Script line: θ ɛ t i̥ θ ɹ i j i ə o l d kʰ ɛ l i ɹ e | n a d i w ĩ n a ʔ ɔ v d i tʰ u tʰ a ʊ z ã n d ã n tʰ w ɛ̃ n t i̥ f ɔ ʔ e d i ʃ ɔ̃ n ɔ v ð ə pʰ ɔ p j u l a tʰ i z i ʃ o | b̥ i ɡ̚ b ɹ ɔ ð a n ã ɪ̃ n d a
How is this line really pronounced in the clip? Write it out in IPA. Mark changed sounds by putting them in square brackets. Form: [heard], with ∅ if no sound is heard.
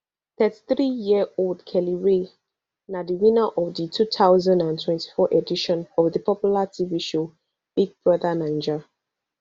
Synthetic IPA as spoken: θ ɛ t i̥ θ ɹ i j i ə o l d kʰ ɛ l i ɹ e | n a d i w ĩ n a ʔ ɔ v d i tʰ u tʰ a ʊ z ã n d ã n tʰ w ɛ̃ n t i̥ f ɔ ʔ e d i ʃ ɔ̃ n ɔ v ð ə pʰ ɔ p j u l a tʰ i [v] i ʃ o | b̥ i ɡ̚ b ɹ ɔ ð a n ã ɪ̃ n [d͡ʒ] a